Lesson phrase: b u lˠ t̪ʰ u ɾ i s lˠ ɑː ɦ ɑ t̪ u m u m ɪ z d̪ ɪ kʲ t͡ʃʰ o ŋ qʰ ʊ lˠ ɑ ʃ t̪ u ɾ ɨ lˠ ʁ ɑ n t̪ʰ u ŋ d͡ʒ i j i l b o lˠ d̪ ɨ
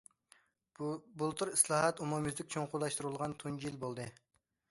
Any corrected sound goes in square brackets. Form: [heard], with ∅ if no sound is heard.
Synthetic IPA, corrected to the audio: b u lˠ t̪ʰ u ɾ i s lˠ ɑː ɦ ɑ t̪ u m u m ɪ z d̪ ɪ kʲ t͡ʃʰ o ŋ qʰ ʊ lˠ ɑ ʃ t̪ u ɾ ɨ lˠ ʁ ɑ n t̪ʰ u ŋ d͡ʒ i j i l b o lˠ d̪ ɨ